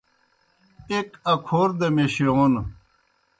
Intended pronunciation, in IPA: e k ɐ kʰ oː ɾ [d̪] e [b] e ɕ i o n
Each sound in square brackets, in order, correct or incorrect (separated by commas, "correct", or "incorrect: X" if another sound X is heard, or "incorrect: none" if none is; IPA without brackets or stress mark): correct, incorrect: m